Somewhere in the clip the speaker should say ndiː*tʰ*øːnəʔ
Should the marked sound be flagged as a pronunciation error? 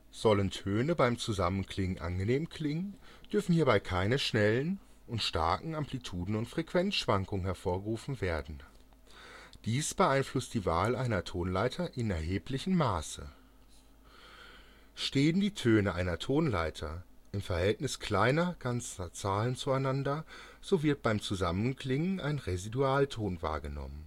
no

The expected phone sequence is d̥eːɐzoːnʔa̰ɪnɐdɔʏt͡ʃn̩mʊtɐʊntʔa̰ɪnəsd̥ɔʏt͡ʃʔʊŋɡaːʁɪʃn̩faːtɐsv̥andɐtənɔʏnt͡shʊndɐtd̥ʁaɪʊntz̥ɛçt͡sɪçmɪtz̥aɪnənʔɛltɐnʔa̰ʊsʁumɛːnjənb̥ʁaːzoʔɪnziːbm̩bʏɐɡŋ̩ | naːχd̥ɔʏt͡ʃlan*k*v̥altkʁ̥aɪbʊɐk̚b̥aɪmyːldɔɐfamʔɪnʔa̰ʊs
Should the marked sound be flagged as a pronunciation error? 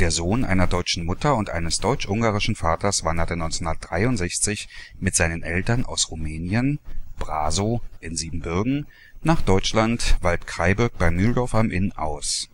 yes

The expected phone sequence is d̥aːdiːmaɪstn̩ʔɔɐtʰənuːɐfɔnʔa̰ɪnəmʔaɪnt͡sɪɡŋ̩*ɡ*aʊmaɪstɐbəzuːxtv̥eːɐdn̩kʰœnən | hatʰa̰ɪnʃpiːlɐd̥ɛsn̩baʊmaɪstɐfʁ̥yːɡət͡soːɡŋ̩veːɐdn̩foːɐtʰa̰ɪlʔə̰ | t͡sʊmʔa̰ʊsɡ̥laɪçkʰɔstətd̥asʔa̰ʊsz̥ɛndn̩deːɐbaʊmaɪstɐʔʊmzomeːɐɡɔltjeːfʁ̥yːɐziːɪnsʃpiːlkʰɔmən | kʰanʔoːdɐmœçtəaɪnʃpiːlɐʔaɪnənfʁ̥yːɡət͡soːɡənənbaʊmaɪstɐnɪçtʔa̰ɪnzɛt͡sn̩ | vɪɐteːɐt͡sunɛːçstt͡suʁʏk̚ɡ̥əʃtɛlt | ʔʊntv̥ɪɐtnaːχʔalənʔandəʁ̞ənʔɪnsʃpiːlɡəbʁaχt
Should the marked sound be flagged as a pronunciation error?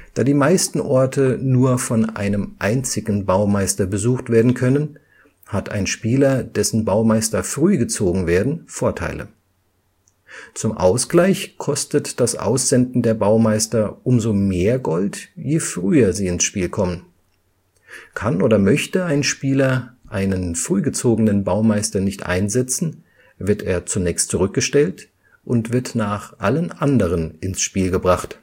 yes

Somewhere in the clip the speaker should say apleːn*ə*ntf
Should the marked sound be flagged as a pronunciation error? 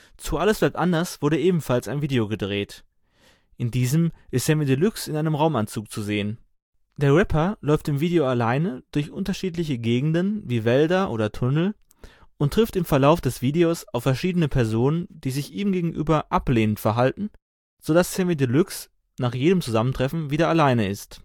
no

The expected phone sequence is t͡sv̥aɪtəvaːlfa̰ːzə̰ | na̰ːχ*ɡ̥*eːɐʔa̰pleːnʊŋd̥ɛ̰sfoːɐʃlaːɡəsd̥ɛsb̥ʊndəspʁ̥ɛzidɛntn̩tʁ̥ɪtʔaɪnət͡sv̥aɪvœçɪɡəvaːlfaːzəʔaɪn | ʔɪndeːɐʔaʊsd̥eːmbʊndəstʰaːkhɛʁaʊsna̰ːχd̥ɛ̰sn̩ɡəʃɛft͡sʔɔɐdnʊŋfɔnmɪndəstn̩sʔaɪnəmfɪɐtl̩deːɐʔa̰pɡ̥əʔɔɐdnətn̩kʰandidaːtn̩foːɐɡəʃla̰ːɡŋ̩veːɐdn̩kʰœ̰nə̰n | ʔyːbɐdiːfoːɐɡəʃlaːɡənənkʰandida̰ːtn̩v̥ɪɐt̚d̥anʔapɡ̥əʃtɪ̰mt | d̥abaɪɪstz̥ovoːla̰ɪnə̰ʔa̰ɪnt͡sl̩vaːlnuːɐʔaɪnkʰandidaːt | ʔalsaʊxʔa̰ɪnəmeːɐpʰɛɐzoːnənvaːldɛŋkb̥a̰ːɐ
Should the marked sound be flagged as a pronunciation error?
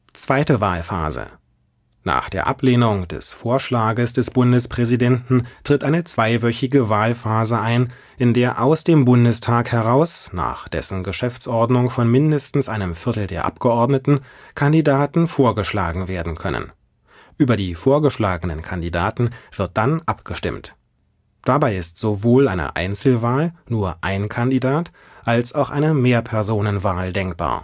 yes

